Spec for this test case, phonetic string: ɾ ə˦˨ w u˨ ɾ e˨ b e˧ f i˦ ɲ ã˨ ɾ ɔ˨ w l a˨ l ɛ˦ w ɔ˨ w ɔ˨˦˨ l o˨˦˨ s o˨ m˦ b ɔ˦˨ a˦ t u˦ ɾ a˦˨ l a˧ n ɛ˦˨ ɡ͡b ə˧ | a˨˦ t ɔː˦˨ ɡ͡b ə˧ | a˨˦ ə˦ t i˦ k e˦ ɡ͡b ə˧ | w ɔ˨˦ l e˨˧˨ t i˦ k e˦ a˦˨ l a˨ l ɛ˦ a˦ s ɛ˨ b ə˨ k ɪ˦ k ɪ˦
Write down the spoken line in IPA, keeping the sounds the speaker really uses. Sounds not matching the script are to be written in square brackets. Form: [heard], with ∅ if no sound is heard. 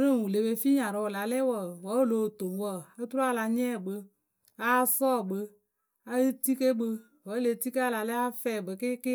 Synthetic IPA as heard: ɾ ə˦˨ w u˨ [l] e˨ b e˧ f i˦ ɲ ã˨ ɾ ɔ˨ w l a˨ l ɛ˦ w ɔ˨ w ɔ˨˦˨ l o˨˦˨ [t] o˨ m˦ [w] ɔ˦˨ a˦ t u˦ ɾ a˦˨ l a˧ [ɲ] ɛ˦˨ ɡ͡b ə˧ | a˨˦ [s] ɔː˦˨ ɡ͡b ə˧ | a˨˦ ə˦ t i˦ k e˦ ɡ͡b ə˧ | w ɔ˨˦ l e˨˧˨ t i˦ k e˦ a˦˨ l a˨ l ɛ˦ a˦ [f] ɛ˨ b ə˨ k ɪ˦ k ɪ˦